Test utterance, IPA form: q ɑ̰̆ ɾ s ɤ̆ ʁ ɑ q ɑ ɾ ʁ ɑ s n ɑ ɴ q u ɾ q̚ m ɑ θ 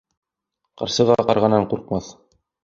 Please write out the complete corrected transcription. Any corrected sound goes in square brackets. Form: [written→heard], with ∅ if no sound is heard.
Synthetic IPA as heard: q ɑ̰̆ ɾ s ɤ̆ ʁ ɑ q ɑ ɾ ʁ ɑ [s→∅] n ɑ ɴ q u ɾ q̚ m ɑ θ